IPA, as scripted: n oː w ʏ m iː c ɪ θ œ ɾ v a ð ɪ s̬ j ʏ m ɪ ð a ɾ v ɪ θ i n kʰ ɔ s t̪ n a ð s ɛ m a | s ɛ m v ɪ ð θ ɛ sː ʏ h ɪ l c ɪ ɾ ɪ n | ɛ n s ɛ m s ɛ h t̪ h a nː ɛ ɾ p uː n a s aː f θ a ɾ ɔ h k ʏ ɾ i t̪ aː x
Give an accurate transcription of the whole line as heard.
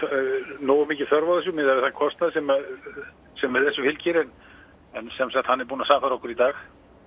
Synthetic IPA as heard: n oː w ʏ m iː c ɪ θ œ ɾ v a ð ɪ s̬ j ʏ m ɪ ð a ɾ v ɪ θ a n kʰ ɔ s t̪ n a ð s ɛ m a | s ɛ m v ɪ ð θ ɛ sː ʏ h ɪ l c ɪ ɾ ɪ n | ɛ n s ɛ m s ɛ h t̪ h a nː ɛ ɾ p uː n a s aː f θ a ɾ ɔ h k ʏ ɾ i t̪ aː x